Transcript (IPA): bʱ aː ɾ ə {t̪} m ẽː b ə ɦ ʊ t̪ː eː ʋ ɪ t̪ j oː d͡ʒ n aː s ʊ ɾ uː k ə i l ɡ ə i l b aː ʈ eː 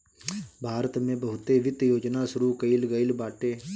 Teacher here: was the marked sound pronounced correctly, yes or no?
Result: yes